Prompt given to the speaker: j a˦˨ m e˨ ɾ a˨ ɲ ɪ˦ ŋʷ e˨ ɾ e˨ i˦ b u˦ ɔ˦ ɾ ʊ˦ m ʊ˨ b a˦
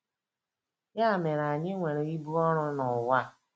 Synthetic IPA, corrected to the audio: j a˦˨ m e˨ ɾ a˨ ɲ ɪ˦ ŋʷ e˨ ɾ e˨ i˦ b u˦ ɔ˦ ɾ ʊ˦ n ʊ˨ w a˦